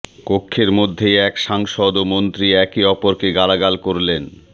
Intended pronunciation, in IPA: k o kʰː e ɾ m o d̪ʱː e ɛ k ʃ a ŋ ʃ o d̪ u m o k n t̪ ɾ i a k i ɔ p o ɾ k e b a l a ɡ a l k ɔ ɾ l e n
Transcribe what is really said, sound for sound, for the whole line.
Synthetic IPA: k o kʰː e ɾ m o d̪ʱː e ɛ k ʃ a ŋ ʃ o d̪ o m o n t̪ ɾ i ɛ k i ɔ p o ɾ k e ɡ a l a ɡ a l k o ɾ l e n

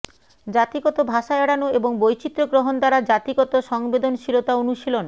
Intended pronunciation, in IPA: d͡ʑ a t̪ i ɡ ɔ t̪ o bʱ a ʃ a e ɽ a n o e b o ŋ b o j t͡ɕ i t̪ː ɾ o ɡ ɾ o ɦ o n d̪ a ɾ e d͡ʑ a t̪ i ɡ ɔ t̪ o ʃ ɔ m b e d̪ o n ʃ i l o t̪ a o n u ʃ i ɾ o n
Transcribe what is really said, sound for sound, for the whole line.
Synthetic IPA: d͡ʑ a t̪ i ɡ ɔ t̪ o bʱ a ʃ a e ɽ a n o e b o ŋ b o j t͡ɕ i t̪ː ɾ o ɡ ɾ o ɦ o n d̪ a ɾ a d͡ʑ a t̪ i ɡ ɔ t̪ o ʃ ɔ ŋ b e d̪ o n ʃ i l o t̪ a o n u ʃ i l o n

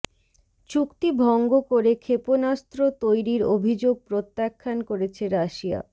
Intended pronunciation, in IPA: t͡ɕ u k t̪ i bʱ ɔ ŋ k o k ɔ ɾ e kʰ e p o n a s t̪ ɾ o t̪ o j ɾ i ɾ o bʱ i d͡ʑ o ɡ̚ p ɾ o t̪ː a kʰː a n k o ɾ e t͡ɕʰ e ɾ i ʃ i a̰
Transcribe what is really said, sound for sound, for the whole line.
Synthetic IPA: t͡ɕ u k t̪ i bʱ ɔ ŋ ɡ o k o ɾ e kʰ e p o n a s t̪ ɾ o t̪ o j ɾ i ɾ o bʱ i d͡ʑ o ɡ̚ p ɾ o t̪ː a kʰː a n k o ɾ e t͡ɕʰ e ɾ a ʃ i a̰

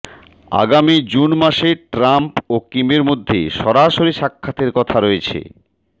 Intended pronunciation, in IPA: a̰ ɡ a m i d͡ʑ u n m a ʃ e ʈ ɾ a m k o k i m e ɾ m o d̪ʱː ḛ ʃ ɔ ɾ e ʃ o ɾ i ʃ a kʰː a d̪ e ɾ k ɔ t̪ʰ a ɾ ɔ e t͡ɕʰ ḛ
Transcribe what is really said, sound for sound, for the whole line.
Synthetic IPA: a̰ ɡ a m i d͡ʑ u n m a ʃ e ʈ ɾ a m p o k i m e ɾ m o d̪ʱː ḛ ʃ ɔ ɾ a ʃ o ɾ i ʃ a kʰː a t̪ e ɾ k ɔ t̪ʰ a ɾ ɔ e t͡ɕʰ ḛ

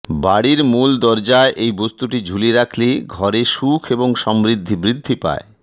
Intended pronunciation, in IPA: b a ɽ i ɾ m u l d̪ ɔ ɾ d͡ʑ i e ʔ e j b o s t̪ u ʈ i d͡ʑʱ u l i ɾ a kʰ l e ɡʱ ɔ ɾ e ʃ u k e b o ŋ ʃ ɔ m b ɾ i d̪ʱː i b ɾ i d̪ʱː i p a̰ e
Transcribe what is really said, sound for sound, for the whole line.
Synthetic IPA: b a ɽ i ɾ m u l d̪ ɔ ɾ d͡ʑ a e ʔ e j b o s t̪ u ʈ i d͡ʑʱ u l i ɾ a kʰ l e ɡʱ ɔ ɾ e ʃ u kʰ e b o ŋ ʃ ɔ m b ɾ i d̪ʱː i b ɾ i d̪ʱː i p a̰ e

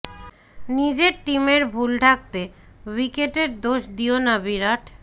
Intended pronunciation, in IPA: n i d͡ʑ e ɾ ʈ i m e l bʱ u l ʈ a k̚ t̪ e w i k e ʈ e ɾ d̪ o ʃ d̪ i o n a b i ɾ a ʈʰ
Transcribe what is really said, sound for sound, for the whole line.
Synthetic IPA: n i d͡ʑ e ɾ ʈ i m e ɾ bʱ u l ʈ a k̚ t̪ e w i k e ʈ e ɾ d̪ o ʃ d̪ i o n a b i ɾ a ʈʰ

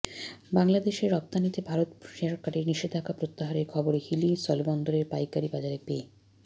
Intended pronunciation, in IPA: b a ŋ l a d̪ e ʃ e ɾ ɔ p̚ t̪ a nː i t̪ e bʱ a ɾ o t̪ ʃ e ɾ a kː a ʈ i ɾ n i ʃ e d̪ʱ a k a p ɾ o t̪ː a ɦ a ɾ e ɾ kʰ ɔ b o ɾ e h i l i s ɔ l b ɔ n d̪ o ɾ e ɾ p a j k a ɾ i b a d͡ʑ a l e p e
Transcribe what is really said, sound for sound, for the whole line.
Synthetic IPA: b a ŋ l a d̪ e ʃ e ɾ ɔ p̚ t̪ a n i t̪ e bʱ a ɾ o t̪ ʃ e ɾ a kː a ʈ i ɾ n i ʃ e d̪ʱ a k a p ɾ o t̪ː a ɦ a ɾ e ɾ kʰ ɔ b o ɾ e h i l i s ɔ l b ɔ n d̪ o ɾ e ɾ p a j k a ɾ i b a d͡ʑ a ɾ e p e

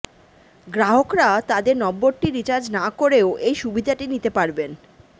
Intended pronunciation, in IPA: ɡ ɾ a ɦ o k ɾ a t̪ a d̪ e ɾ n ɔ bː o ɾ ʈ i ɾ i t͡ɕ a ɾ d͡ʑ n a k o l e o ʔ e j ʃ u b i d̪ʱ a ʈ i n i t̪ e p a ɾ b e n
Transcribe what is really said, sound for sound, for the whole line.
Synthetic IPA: ɡ ɾ a ɦ o k ɾ a t̪ a d̪ e ɾ n ɔ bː o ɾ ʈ i ɾ i t͡ɕ a ɾ d͡ʑ n a k o ɾ e o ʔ e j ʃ u b i d̪ʱ a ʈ i n i t̪ e p a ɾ b e n

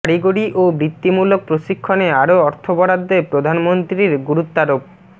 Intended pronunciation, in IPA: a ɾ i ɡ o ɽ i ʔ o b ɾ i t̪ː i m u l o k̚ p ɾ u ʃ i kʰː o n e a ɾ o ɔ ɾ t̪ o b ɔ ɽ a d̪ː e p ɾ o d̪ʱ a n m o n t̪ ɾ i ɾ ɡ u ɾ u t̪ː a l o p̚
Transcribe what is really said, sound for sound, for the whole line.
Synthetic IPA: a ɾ i ɡ o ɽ i ʔ o b ɾ i t̪ː i m u l o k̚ p ɾ o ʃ i kʰː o n e a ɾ o ɔ ɾ t̪ʰ o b ɔ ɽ a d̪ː e p ɾ o d̪ʱ a n m o n t̪ ɾ i ɾ ɡ u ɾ u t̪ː a ɾ o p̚

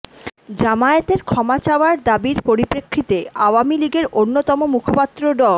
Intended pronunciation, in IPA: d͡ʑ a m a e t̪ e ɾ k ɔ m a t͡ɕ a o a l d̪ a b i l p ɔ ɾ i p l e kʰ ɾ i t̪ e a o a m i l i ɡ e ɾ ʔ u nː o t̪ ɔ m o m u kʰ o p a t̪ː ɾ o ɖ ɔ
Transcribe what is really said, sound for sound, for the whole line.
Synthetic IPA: d͡ʑ a m a e t̪ e ɾ kʰ ɔ m a t͡ɕ a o a ɾ d̪ a b i ɾ p o ɾ i p ɾ e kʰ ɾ i t̪ e a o a m i l i ɡ e ɾ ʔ o nː o t̪ ɔ m o m u kʰ o p a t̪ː ɾ o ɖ ɔ

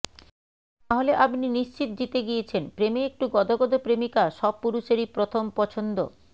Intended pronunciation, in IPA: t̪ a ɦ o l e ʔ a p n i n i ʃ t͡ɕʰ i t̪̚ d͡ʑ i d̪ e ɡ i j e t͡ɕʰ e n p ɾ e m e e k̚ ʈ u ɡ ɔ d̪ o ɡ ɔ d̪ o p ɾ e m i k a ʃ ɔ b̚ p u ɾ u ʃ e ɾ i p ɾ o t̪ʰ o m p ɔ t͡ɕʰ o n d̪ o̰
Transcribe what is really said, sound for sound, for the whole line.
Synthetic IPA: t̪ a ɦ o l e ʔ a p n i n i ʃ t͡ɕ i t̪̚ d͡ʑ i t̪ e ɡ i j e t͡ɕʰ e n p ɾ e m e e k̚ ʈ u ɡ ɔ d̪ o ɡ ɔ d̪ o p ɾ e m i k a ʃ ɔ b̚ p u ɾ u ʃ e ɾ i p ɾ o t̪ʰ o m p ɔ t͡ɕʰ o n d̪ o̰

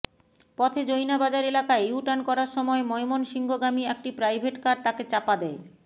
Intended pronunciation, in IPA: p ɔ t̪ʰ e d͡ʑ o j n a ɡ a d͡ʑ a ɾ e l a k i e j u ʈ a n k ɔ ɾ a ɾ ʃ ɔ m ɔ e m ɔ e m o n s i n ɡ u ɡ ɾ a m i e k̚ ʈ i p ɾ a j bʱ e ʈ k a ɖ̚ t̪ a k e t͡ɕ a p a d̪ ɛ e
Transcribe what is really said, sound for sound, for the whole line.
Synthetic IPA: p ɔ t̪ʰ e d͡ʑ o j n a b a d͡ʑ a ɾ e l a k a e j u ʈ a n k ɔ ɾ a ɾ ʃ ɔ m ɔ e m ɔ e m o n ʃ i ŋ ɡ o ɡ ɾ a m i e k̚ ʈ i p ɾ a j bʱ e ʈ k a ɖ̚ t̪ a k e t͡ɕ a p a d̪ ɛ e

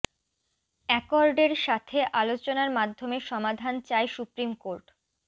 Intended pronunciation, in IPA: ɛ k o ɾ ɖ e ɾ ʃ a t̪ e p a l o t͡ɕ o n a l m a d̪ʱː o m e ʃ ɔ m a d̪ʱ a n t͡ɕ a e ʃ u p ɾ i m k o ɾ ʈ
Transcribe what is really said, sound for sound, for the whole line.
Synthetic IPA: ɛ k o ɾ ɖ e ɾ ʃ a t̪ʰ e ʔ a l o t͡ɕ o n a ɾ m a d̪ʱː o m e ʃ ɔ m a d̪ʱ a n t͡ɕ a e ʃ u p ɾ i m k o ɾ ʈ

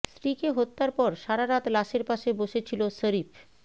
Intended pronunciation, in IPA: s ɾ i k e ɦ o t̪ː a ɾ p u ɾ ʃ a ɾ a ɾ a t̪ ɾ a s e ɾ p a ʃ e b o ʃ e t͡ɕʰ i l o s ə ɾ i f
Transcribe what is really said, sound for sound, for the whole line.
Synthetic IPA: s ɾ i k e ɦ o t̪ː a ɾ p ɔ ɾ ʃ a ɾ a ɾ a t̪ l a ʃ e ɾ p a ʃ e b o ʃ e t͡ɕʰ i l o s ə ɾ i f

